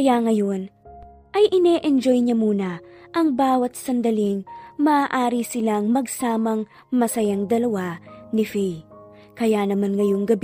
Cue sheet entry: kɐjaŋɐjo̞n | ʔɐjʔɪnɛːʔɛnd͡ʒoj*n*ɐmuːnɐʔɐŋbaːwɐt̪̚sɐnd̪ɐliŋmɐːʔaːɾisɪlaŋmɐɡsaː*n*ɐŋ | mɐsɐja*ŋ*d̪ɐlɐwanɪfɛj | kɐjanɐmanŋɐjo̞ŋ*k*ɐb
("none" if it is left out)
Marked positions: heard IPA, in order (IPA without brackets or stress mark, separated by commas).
ɲ, m, ŋ, ɡ